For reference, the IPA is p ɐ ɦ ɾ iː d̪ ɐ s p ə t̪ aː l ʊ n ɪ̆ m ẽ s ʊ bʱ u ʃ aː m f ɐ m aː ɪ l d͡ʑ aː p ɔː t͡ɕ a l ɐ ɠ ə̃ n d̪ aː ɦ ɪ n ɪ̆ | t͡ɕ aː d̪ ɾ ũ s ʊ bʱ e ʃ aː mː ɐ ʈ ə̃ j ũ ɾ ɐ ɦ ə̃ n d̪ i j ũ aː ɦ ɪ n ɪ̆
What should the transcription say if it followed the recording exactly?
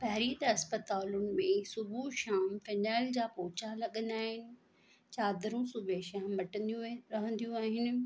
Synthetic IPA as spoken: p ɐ ɦ ɾ iː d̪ ɐ s p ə t̪ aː l ʊ n ɪ̆ m ẽ s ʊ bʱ u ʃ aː m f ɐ n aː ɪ l d͡ʑ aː p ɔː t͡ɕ a l ɐ ɠ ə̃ n d̪ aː ɦ ɪ n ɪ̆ | t͡ɕ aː d̪ ɾ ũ s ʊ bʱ e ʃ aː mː ɐ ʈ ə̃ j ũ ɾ ɐ ɦ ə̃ n d̪ i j ũ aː ɦ ɪ n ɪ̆